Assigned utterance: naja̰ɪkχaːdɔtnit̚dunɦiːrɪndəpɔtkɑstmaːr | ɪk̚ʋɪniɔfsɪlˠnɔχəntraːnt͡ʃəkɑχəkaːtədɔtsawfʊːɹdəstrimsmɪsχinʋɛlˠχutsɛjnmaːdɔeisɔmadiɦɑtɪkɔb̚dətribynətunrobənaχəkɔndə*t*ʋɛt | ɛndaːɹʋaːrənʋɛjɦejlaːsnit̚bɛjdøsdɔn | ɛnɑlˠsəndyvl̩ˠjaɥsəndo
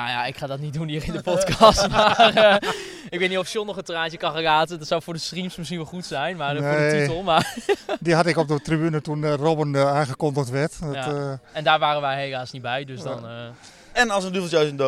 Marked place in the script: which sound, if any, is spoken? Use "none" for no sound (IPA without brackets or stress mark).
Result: t